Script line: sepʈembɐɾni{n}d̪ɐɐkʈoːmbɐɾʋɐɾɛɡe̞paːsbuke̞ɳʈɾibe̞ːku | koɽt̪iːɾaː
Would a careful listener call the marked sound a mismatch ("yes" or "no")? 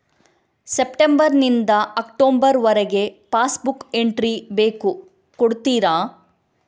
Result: no